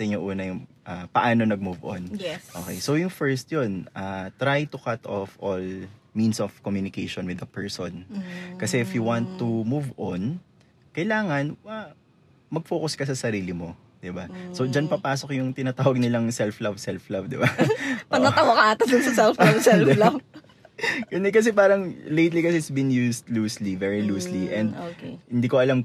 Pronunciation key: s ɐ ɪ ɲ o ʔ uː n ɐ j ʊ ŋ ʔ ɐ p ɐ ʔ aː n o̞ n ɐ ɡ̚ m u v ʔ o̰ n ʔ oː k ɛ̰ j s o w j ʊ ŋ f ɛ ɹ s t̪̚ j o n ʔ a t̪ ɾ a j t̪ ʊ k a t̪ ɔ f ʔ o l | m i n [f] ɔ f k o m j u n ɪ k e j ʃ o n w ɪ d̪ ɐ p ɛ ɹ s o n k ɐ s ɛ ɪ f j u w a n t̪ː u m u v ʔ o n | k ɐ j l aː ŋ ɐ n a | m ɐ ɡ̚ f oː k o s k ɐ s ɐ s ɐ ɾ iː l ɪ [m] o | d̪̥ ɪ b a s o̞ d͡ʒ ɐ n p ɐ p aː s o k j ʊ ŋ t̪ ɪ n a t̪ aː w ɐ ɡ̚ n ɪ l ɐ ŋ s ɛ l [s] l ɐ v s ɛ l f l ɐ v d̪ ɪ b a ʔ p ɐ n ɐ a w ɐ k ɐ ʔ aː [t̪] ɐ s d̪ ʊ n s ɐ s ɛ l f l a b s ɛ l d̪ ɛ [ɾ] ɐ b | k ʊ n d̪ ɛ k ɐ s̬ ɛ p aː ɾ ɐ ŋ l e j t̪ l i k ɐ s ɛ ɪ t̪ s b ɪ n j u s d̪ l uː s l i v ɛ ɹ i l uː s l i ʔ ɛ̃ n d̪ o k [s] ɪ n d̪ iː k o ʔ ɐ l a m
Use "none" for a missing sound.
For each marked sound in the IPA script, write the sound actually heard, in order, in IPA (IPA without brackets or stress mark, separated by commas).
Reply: s, m, f, t̪, l, h